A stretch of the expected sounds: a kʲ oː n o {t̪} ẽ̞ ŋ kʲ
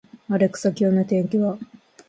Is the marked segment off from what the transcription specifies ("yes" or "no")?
no